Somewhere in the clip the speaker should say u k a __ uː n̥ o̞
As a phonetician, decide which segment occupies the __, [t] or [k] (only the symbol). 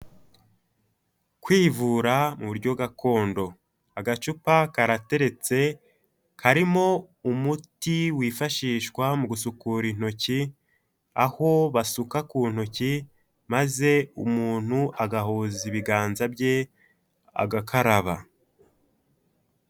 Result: k